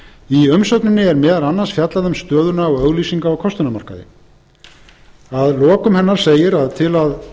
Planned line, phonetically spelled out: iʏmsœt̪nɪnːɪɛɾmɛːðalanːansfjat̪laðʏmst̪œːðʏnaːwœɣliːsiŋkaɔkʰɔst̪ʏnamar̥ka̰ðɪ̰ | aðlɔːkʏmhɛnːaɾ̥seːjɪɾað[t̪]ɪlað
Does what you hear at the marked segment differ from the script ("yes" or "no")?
yes